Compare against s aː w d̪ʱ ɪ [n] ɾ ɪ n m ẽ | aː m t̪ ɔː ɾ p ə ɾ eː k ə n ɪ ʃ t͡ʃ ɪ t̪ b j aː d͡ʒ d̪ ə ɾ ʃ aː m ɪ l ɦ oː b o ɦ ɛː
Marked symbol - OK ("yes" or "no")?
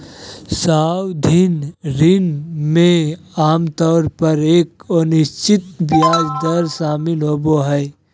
yes